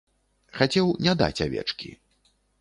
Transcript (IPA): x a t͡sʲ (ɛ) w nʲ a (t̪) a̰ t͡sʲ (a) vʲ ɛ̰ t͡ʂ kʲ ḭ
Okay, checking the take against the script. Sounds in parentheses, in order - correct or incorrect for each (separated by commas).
correct, incorrect, correct